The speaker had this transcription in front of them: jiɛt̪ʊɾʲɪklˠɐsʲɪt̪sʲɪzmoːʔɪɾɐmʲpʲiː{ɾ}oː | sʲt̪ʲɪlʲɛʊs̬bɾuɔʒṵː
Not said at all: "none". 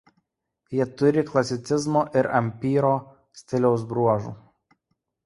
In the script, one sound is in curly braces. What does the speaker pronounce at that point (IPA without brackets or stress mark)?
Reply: ɾ